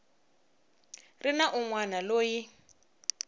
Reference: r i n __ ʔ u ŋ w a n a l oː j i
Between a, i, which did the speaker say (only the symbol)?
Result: a